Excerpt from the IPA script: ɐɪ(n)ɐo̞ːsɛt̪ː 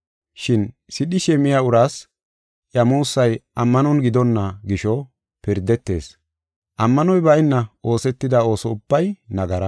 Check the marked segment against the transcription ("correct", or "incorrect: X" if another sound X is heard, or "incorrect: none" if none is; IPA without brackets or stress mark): incorrect: nː